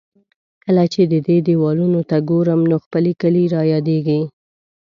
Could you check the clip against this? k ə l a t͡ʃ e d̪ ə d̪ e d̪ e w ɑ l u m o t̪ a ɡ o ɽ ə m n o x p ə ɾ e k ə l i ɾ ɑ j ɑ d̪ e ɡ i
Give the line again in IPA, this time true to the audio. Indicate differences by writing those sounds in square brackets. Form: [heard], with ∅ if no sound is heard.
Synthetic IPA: k ə l a t͡ʃ e d̪ ə d̪ e d̪ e w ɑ l u [n] o t̪ a ɡ o [ɾ] ə m n o x p ə [l] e k ə l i ɾ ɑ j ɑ d̪ e ɡ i